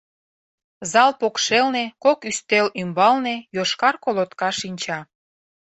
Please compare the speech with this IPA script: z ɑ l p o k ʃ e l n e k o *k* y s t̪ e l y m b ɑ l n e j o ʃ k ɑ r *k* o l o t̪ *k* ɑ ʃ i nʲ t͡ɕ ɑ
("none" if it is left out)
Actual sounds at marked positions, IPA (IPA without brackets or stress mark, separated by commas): k, k, k